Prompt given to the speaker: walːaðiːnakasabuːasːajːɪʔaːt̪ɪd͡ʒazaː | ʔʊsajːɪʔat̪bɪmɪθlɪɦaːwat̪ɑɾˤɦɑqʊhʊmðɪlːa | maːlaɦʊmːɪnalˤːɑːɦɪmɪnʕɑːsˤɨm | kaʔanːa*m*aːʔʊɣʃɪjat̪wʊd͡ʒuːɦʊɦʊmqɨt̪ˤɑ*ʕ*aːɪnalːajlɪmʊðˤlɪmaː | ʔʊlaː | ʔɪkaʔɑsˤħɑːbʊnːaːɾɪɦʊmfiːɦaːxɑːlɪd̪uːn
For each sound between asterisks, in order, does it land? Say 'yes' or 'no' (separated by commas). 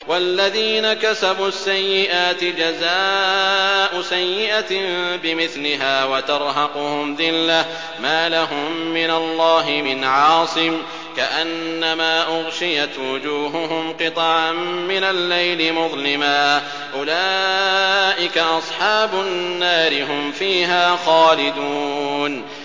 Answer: yes, yes